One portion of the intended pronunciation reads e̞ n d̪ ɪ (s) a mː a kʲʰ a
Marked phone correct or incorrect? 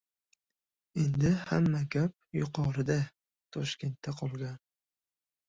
incorrect